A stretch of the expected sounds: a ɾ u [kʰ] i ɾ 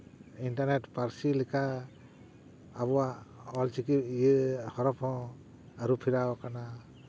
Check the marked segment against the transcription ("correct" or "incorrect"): incorrect